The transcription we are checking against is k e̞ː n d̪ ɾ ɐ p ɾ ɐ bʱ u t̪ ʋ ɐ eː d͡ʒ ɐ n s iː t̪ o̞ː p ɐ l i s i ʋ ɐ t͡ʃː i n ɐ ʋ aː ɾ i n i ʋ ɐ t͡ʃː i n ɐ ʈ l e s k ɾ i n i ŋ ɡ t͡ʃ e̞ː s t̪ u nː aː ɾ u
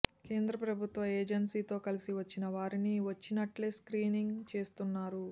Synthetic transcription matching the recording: k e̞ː n d̪ ɾ ɐ p ɾ ɐ bʱ u t̪ ʋ ɐ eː d͡ʒ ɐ n s iː t̪ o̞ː k ɐ l i s i ʋ ɐ t͡ʃː i n ɐ ʋ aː ɾ i n i ʋ ɐ t͡ʃː i n ɐ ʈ l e s k ɾ iː n i ŋ ɡ t͡ʃ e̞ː s t̪ u nː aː ɾ u